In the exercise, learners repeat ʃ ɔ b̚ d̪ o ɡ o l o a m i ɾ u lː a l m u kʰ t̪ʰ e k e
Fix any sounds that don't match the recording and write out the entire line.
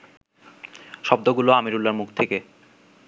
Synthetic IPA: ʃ ɔ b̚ d̪ o ɡ u l o a m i ɾ u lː a ɾ m u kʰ t̪ʰ e k e